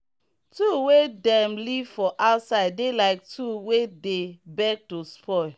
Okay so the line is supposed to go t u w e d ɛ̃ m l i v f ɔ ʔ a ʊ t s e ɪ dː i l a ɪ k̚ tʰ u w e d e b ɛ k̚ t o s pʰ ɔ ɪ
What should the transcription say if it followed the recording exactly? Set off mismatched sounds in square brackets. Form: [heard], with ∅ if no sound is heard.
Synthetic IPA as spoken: t u w e d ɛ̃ m l i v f ɔ ʔ a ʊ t s [a] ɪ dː [e] l a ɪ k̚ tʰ u w e d e b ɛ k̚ t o s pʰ ɔ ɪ